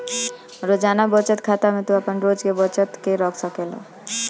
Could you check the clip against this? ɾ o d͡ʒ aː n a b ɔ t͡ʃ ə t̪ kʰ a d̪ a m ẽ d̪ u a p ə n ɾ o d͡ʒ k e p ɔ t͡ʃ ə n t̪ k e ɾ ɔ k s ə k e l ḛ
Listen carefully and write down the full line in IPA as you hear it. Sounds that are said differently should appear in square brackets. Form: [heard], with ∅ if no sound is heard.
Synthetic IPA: ɾ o d͡ʒ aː n a b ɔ t͡ʃ ə t̪ kʰ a [t̪] a m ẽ [t̪] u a p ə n ɾ o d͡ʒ k e [b] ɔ t͡ʃ ə [∅] t̪ k e ɾ ɔ k s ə k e l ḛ